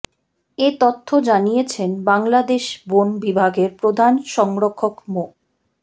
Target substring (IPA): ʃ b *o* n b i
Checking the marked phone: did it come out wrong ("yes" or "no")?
no